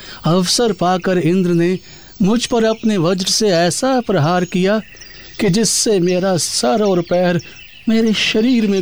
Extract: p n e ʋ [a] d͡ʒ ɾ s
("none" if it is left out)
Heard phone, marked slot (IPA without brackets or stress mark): ɐ